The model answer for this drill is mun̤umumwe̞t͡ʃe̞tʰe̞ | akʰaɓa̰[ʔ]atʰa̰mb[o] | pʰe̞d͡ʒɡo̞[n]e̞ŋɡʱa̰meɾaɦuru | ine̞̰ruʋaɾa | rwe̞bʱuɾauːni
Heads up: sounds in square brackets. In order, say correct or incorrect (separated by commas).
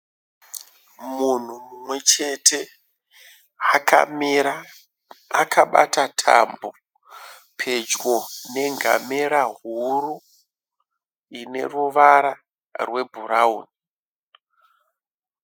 incorrect, correct, correct